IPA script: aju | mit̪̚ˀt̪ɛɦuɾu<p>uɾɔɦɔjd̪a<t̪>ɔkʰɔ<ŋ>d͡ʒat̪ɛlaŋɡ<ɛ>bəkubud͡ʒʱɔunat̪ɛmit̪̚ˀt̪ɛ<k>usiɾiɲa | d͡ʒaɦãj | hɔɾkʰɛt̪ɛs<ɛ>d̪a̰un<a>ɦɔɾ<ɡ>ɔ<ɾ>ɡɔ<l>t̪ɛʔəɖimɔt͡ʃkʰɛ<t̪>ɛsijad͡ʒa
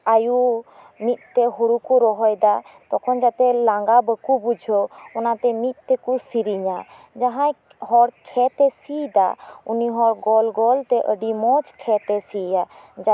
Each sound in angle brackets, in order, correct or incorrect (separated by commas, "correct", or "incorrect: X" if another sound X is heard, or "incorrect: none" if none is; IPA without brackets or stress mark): incorrect: k, correct, incorrect: n, incorrect: a, correct, incorrect: i, incorrect: i, correct, incorrect: l, correct, correct